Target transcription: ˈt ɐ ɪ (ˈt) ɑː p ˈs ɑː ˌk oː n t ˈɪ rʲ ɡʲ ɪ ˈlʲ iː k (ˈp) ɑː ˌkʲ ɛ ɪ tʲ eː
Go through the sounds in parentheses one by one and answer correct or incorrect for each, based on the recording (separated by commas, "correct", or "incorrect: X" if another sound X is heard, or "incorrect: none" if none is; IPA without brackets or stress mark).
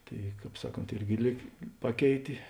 incorrect: k, correct